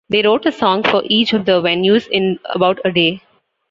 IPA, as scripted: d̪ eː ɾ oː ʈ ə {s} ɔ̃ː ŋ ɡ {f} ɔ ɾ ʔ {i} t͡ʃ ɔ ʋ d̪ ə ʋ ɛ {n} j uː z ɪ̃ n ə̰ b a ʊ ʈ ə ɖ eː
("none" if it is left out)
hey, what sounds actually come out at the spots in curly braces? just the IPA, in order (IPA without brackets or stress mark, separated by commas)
s, f, iː, n